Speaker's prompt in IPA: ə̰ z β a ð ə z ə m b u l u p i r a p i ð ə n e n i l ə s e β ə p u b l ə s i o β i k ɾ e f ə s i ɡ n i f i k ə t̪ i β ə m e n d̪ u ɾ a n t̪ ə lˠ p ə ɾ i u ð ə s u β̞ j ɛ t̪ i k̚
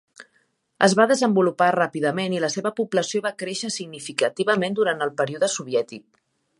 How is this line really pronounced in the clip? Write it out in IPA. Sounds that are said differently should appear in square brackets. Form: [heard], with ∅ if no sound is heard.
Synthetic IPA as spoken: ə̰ z β a ð ə z ə m b u l u p [a] r a p i ð ə [m] e n i l ə s e β ə p u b l ə s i o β [a] k ɾ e [ʃ] ə s i ɡ n i f i k ə t̪ i β ə m e n d̪ u ɾ a n t̪ ə lˠ p ə ɾ i u ð ə s u β̞ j ɛ t̪ i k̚

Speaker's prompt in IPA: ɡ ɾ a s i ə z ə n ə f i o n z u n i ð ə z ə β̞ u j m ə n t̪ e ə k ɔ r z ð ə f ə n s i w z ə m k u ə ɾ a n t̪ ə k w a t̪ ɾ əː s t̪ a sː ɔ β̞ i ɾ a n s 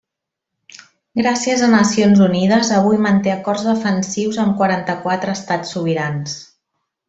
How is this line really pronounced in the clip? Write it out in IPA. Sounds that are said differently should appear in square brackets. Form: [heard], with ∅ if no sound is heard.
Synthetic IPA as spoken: ɡ ɾ a s i ə z ə n ə [s] i o n z u n i ð ə z ə β̞ u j m ə n t̪ e ə k ɔ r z ð ə f ə n s i w z ə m k [w] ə ɾ a n t̪ ə k w a t̪ ɾ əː s t̪ a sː [u] β̞ i ɾ a n s

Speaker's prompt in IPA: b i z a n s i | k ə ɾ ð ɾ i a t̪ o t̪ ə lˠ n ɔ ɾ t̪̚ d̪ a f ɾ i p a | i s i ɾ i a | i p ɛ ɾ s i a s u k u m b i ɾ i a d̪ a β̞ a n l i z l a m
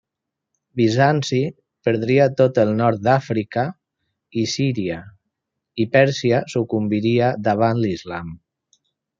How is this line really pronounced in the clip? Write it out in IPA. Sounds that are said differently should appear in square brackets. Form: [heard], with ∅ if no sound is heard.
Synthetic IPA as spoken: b i z a n s i | [p] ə ɾ ð ɾ i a t̪ o t̪ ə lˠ n ɔ ɾ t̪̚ d̪ a f ɾ i [k] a | i s i ɾ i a | i p ɛ ɾ s i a s u k u m b i ɾ i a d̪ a β̞ a n l i z l a m

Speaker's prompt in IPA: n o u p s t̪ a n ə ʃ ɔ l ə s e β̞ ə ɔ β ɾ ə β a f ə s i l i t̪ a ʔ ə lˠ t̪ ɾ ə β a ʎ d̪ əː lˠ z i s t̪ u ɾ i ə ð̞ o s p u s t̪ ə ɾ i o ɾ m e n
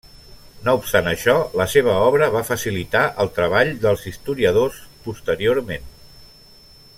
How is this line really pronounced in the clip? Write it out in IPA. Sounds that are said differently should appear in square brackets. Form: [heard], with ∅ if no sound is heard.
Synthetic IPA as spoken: n o u p s t̪ a n ə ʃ ɔ l ə s e β̞ ə ɔ β ɾ ə β a f ə s i l i t̪ a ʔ ə lˠ t̪ ɾ ə β a ʎ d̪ [ə] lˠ z i s t̪ u ɾ i ə ð̞ o s p u s t̪ ə ɾ i o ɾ m e n

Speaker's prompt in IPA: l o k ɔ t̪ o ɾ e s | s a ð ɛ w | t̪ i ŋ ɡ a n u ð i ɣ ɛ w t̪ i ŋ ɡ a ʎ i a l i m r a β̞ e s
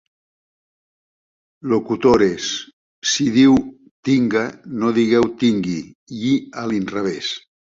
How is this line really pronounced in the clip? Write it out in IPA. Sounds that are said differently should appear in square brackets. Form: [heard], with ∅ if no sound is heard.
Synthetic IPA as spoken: l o k [u] t̪ o ɾ e s | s [i] ð [i] w | t̪ i ŋ ɡ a n [o] ð i ɣ ɛ w t̪ i ŋ ɡ [i] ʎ i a l i [n] r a β̞ e s

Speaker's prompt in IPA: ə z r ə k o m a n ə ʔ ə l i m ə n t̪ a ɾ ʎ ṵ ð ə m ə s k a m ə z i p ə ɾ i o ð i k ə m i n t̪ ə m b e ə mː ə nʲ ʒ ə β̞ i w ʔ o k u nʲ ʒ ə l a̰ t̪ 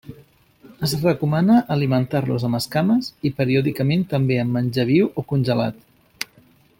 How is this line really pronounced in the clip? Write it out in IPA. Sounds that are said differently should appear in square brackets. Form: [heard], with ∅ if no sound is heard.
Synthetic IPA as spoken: ə z r ə k [u] m a n ə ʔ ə l i m ə n t̪ a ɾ [l] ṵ [z] ə m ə s k a m ə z i p ə ɾ i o ð i k ə m [e] n t̪ ə m b e ə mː ə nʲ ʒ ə β̞ i w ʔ o k u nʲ ʒ ə l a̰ t̪

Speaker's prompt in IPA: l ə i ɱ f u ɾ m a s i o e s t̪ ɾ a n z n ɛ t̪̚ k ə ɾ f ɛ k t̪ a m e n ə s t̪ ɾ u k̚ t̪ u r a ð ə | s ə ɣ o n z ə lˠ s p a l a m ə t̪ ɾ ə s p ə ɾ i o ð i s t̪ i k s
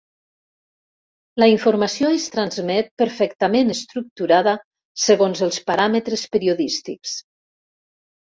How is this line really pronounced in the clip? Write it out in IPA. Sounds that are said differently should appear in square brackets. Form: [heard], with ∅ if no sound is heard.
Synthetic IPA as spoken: l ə i ɱ f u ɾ m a s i o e s t̪ ɾ a n z [m] ɛ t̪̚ [p] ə ɾ f ɛ k t̪ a m e n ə s t̪ ɾ u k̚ t̪ u [ɾ] a ð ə | s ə ɣ o n z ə lˠ s p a [ɾ] a m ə t̪ ɾ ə s p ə ɾ i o ð i s t̪ i k s

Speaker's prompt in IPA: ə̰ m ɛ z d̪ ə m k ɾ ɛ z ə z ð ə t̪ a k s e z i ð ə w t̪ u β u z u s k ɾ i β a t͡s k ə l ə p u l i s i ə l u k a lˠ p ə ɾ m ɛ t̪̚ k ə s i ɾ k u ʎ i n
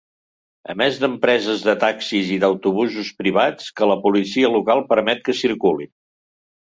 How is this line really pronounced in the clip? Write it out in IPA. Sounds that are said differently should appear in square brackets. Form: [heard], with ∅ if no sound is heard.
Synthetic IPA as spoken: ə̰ m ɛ z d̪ ə m [p] ɾ ɛ z ə z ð ə t̪ a k s [i] z i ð ə w t̪ u β u z u s [p] ɾ i β a t͡s k ə l ə p u l i s i ə l u k a lˠ p ə ɾ m ɛ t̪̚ k ə s i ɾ k u [l] i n

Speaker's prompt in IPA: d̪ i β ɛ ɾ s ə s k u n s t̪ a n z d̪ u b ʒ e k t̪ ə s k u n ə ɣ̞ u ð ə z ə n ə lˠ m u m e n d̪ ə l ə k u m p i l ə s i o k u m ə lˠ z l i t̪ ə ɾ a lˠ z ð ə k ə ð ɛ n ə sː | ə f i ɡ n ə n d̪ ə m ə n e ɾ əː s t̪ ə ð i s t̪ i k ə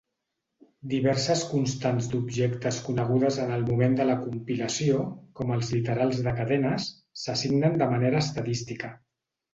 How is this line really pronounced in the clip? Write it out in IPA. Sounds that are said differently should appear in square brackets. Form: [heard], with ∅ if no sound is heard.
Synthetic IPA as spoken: d̪ i β ɛ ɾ s ə s k u n s t̪ a n z d̪ u b ʒ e k t̪ ə s k u n ə ɣ̞ u ð ə z ə n ə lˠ m u m e n d̪ ə l ə k u m p i l ə s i o k [ɔ] m ə lˠ z l i t̪ ə ɾ a lˠ z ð ə k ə ð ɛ n ə sː | ə [s] i ɡ n ə n d̪ ə m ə n e ɾ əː s t̪ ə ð i s t̪ i k ə

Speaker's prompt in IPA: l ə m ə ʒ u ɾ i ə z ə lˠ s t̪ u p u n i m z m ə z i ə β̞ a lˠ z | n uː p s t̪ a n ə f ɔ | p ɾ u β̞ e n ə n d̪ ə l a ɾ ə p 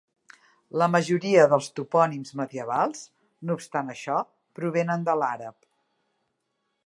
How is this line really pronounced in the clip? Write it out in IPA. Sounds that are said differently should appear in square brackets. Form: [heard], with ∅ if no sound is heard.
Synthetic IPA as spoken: l ə m ə ʒ u ɾ i ə [ð] ə lˠ s t̪ u p [ɔ] n i m z m ə [ð] i ə β̞ a lˠ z | n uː p s t̪ a n ə [ʃ] ɔ | p ɾ u β̞ e n ə n d̪ ə l a ɾ ə p

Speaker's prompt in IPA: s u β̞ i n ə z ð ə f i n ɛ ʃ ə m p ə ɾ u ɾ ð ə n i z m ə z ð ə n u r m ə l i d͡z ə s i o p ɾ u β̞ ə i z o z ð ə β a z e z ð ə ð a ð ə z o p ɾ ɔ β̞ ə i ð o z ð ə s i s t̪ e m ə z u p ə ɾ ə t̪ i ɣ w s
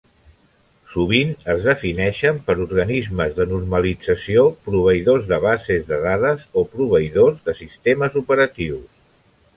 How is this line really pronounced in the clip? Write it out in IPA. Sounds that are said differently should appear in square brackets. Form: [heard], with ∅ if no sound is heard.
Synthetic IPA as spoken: s u β̞ i n ə z ð ə f i n ɛ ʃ ə m p ə ɾ u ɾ [ɣ] ə n i z m ə z ð ə n u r m ə l i d͡z ə s i o p ɾ u β̞ ə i [ð] o z ð ə β a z e z ð ə ð a ð ə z o p ɾ [u] β̞ ə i ð o z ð ə s i s t̪ e m ə z u p ə ɾ ə t̪ i [∅] w s

